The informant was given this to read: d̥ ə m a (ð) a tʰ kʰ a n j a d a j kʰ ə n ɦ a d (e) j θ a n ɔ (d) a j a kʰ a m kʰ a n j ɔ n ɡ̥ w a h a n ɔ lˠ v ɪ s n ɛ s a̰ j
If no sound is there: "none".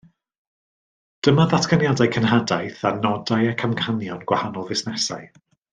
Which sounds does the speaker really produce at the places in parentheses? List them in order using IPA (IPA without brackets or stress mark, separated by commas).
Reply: ð, a, d